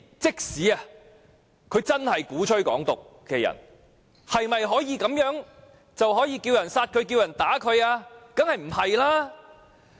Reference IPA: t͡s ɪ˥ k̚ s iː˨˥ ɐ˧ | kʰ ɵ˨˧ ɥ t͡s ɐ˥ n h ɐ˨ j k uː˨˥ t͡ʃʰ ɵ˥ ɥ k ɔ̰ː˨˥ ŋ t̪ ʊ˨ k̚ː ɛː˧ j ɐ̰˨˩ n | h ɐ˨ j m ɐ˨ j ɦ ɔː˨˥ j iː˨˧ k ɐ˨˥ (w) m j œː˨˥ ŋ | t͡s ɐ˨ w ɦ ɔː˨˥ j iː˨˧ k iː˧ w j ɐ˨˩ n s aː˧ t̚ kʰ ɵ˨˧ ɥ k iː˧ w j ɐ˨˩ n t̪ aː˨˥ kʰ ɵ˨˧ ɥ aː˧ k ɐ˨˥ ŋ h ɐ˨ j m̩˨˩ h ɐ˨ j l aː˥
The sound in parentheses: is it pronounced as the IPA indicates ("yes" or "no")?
no